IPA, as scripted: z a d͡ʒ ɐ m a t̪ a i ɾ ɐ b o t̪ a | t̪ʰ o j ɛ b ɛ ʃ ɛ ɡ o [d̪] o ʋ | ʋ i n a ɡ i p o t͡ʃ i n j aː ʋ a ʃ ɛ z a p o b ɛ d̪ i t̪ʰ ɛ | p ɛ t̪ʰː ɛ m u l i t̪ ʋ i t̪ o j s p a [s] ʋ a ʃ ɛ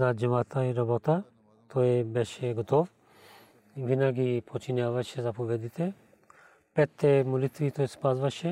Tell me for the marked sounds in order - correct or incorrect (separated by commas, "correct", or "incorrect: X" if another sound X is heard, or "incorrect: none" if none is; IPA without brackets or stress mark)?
incorrect: t̪, incorrect: z